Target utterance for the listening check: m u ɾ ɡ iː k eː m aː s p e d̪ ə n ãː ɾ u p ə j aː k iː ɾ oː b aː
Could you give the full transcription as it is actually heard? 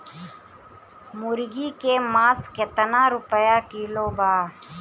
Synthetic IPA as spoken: m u ɾ ɡ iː k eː m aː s k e t̪ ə n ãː ɾ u p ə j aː k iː l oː b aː